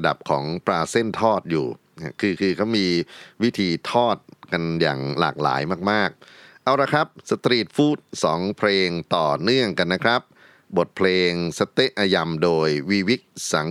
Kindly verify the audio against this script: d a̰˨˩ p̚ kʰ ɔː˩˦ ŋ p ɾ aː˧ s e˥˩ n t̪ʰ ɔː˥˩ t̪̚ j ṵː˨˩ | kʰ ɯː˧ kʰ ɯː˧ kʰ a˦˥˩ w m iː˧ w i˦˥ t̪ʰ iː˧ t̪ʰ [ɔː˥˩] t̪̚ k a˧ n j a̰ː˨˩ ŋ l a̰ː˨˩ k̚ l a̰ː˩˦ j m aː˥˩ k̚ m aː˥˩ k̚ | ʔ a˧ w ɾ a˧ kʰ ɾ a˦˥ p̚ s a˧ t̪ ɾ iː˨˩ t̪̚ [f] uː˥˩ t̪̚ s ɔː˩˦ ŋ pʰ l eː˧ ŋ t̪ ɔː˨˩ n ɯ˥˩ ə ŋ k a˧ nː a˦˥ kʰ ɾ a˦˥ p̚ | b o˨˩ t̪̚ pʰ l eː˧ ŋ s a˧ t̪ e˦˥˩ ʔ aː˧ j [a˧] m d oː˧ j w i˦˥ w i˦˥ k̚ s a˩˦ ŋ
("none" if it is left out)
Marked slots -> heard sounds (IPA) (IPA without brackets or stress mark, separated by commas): ɔː˥˩, f, a˧